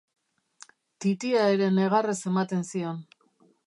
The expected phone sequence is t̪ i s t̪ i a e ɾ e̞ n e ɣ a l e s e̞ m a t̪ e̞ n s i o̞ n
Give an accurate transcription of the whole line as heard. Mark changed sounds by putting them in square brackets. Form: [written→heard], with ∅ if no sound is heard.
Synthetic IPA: t̪ i [s→∅] t̪ i a e ɾ e̞ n e ɣ a [l→r] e s e̞ m a t̪ e̞ n s i o̞ n